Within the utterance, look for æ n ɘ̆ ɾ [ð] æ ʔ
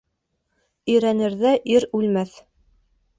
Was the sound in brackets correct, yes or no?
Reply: yes